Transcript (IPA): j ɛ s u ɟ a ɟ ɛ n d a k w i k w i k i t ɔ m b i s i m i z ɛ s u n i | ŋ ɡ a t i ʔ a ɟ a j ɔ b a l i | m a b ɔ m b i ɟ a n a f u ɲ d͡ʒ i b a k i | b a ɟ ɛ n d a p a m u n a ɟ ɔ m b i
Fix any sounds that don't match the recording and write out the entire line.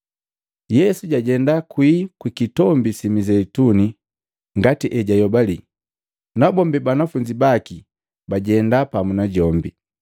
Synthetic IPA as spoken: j ɛ s u ɟ a ɟ ɛ n d a k w i k w i k i t ɔ m b i s i m i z ɛ t u n i | ŋ ɡ a t i ʔ ɛ ɟ a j ɔ b a l i | n a b ɔ m b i b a n a f u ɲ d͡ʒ i b a k i | b a ɟ ɛ n d a p a m u n a ɟ ɔ m b i